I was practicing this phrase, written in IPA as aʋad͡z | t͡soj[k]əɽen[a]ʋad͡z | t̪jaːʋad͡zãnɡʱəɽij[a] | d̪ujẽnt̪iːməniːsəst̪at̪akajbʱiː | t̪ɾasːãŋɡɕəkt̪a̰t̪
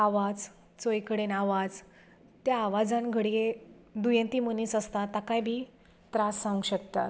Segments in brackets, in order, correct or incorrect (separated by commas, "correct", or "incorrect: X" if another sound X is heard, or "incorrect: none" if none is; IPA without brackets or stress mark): correct, correct, incorrect: e